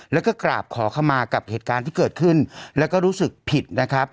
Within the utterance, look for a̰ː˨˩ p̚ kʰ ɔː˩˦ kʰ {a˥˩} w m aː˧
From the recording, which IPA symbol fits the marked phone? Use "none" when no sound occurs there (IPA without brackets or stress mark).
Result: a˧